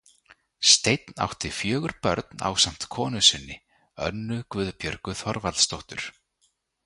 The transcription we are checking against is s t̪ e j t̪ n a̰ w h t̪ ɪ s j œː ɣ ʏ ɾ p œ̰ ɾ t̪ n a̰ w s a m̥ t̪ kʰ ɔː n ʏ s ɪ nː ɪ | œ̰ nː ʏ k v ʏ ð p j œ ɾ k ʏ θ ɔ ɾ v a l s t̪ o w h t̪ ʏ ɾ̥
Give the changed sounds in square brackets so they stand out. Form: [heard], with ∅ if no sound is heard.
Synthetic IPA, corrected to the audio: s t̪ e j t̪ n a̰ w h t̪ ɪ [f] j œː ɣ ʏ ɾ p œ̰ ɾ t̪ n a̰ w s a m̥ t̪ kʰ ɔː n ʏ s ɪ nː ɪ | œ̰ nː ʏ k v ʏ ð p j œ ɾ k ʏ θ ɔ ɾ v a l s t̪ o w h t̪ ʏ ɾ̥